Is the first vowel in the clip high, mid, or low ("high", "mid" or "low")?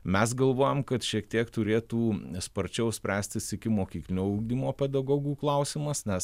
mid